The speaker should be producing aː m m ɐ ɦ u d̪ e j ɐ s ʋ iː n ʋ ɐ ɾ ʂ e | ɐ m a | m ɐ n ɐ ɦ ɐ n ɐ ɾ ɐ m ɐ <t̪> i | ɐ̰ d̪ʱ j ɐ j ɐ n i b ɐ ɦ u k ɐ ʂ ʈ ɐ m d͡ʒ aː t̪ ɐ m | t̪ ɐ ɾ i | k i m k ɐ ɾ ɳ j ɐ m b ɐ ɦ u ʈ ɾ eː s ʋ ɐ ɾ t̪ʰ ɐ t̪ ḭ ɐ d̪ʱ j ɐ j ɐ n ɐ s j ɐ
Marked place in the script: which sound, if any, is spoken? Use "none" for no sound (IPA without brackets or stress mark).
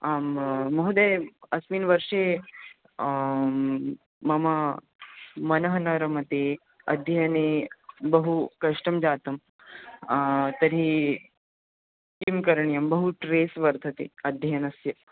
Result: t̪